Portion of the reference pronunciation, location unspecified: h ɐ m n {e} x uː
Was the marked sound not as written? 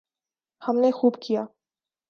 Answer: no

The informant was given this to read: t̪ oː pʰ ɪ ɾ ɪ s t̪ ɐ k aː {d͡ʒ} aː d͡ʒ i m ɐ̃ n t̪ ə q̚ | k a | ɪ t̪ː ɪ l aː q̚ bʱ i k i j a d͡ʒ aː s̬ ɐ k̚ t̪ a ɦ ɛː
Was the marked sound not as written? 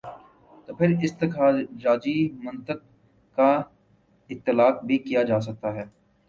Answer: no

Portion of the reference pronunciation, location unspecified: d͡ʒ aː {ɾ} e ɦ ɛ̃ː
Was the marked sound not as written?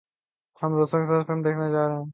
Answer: no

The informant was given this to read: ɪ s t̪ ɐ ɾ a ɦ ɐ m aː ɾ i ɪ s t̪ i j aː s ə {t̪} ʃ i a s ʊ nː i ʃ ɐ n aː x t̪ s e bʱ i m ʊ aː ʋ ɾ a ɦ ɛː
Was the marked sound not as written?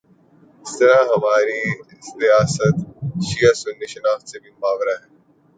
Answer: no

